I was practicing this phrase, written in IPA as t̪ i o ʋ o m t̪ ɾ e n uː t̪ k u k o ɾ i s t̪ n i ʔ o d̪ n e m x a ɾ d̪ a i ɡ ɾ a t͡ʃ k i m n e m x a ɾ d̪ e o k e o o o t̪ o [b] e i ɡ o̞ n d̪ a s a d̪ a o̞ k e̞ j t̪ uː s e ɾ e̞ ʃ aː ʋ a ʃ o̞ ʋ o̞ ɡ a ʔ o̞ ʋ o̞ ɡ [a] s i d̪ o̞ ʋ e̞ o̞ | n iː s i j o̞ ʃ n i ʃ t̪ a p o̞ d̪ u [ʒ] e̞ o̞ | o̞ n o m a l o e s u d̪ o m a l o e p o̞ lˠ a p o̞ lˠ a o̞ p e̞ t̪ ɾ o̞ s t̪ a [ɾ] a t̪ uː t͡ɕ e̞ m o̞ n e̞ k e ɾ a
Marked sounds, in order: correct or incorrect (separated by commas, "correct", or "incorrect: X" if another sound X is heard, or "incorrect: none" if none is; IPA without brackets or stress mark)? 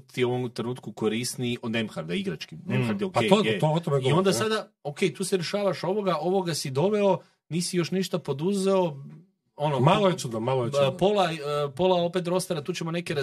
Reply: incorrect: m, correct, incorrect: z, correct